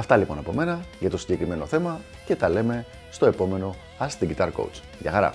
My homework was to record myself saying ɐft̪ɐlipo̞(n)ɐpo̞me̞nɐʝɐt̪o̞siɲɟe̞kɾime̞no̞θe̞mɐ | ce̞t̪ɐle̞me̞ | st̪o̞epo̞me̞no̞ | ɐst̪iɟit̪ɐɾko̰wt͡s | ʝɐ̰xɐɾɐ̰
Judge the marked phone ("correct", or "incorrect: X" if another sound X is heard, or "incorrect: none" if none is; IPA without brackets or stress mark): correct